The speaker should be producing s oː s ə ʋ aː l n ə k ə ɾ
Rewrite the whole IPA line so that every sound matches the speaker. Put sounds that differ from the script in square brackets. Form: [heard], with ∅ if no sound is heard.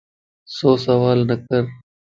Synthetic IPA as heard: s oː s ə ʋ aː l n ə k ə ɾ